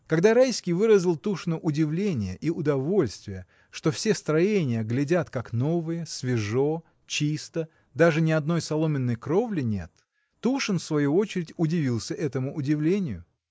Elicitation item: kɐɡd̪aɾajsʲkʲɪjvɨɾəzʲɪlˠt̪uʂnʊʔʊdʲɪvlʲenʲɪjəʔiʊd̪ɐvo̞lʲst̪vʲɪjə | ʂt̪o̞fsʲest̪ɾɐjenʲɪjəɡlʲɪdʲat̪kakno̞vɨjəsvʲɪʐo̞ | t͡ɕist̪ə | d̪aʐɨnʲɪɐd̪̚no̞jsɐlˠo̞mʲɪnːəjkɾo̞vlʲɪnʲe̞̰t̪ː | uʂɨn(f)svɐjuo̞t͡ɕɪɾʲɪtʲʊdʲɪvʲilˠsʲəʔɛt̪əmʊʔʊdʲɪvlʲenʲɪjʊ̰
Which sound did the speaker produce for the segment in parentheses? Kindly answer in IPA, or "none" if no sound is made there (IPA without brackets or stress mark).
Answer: f